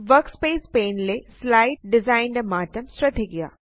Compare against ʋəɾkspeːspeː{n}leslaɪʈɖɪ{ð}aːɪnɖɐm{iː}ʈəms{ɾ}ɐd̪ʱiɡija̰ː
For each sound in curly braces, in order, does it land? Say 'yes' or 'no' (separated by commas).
yes, no, no, yes